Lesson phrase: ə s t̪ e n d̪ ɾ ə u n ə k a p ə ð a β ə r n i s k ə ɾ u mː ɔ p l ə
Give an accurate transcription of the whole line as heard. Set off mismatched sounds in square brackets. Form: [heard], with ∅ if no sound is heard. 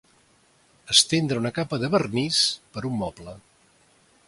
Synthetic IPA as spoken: ə s t̪ e n d̪ ɾ ə u n ə k a p ə ð [ə] β ə r n i s [p] ə ɾ u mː ɔ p l ə